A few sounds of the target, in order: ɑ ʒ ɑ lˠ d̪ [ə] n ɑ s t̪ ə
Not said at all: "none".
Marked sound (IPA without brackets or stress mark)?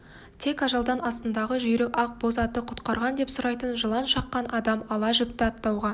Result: ɑ